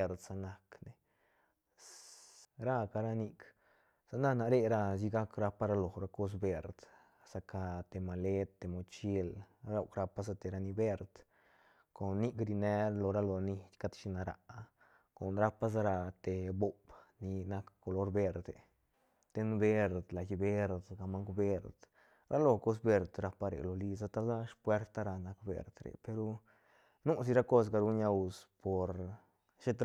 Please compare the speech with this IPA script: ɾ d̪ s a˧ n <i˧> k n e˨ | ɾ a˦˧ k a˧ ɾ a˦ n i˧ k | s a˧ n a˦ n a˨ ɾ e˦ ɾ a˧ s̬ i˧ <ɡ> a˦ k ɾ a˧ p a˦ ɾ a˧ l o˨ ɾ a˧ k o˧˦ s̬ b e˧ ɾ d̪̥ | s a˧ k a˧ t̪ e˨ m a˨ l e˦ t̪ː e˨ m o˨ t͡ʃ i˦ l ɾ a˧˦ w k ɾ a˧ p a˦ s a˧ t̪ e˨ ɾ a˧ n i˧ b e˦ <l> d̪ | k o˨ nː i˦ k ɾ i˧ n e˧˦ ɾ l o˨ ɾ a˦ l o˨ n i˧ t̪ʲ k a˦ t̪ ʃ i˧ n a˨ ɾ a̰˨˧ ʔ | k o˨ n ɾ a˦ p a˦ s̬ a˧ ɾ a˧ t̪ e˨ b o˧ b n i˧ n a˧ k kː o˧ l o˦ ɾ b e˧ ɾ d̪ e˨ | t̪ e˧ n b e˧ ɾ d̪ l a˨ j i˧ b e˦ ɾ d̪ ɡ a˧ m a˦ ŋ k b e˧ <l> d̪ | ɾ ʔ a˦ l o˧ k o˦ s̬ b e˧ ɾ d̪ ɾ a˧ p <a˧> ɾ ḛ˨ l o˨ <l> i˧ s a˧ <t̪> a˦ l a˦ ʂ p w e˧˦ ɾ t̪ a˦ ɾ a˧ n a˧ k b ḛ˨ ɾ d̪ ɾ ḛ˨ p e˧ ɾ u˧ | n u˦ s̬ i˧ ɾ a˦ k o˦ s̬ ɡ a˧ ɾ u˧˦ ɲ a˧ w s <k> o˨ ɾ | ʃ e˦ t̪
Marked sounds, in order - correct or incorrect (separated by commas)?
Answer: incorrect, correct, incorrect, incorrect, correct, correct, correct, incorrect